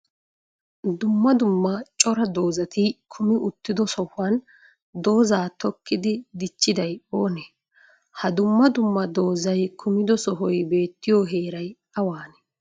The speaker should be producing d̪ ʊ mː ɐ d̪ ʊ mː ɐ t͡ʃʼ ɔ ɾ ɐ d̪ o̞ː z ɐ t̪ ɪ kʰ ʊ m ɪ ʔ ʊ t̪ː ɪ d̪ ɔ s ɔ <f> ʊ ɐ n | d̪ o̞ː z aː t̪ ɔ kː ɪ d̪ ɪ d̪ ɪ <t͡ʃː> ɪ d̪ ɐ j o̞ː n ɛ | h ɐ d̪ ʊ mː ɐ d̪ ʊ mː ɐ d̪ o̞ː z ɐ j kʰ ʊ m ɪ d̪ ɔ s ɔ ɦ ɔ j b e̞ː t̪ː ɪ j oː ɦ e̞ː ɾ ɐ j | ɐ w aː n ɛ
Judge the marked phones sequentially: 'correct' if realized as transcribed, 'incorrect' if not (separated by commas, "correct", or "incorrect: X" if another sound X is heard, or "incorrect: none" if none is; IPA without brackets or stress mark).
incorrect: h, correct